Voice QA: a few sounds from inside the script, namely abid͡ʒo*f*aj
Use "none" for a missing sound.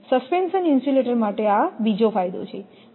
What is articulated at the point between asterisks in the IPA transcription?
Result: f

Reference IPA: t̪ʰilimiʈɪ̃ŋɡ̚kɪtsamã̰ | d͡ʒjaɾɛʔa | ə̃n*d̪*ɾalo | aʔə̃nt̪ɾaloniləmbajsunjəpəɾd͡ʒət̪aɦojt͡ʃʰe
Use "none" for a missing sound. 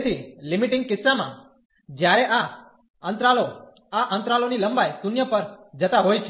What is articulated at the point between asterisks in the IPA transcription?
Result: t̪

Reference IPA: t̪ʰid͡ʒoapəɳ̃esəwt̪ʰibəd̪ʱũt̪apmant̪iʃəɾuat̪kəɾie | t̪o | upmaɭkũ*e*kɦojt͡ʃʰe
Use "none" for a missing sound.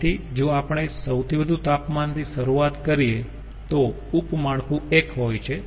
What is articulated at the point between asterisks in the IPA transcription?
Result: e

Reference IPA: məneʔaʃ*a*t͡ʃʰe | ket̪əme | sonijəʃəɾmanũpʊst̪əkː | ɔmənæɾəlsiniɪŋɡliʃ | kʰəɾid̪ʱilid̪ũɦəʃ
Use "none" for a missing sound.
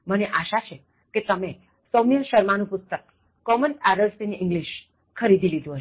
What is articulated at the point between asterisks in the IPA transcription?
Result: a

